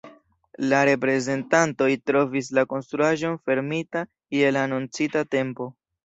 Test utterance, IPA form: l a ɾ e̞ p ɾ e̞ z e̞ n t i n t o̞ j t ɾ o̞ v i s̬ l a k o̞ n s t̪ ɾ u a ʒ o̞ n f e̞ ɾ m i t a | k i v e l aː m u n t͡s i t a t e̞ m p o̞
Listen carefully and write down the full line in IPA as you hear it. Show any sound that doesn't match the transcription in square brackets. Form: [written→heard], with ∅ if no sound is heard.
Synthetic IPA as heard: l a ɾ e̞ p ɾ e̞ z e̞ n t [i→a] n t o̞ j t ɾ o̞ v i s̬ l a k o̞ n s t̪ ɾ u a ʒ o̞ n f e̞ ɾ m i t a | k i [v→∅] e l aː [m→n] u n t͡s i t a t e̞ m p o̞